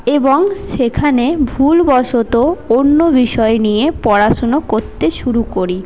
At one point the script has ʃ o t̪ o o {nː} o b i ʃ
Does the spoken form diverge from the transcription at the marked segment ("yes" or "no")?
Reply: no